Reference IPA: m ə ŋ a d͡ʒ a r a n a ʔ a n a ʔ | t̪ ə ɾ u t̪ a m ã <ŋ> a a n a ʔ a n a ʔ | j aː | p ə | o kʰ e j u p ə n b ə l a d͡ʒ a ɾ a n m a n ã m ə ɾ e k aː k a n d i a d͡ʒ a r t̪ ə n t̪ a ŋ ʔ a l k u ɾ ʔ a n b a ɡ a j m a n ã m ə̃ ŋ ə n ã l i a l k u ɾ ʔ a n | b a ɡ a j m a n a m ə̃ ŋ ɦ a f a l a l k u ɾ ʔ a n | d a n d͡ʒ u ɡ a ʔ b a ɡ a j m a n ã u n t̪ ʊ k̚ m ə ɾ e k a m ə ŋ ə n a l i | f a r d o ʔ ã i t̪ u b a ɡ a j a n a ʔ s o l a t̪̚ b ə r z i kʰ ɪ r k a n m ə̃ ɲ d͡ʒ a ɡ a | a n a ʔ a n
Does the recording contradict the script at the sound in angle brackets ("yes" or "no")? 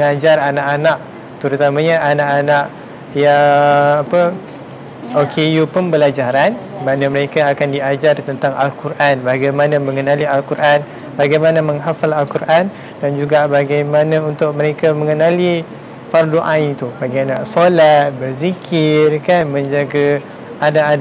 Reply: yes